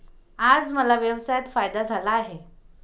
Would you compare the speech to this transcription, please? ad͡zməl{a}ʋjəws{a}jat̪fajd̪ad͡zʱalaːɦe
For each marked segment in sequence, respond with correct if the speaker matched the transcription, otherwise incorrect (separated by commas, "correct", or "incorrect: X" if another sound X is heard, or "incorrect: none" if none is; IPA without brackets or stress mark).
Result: correct, correct